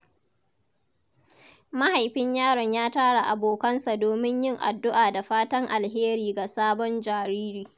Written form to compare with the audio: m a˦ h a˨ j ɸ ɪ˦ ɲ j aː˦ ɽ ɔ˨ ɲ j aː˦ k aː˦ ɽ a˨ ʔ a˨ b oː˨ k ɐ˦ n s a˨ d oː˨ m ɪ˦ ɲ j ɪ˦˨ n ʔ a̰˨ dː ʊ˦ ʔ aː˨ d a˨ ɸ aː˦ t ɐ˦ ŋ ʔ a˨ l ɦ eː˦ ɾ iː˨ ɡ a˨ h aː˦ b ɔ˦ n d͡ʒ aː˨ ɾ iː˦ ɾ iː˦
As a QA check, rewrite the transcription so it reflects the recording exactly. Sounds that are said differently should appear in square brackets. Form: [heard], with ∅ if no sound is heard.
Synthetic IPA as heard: m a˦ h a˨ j ɸ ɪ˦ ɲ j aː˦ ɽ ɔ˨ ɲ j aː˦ [t] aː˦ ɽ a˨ ʔ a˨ b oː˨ k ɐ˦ n s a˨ d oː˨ m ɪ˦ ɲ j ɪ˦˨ [ŋ] ʔ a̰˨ dː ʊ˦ ʔ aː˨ d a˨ ɸ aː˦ t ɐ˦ ŋ ʔ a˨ l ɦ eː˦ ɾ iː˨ ɡ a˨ [s] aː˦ b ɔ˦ n d͡ʒ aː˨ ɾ iː˦ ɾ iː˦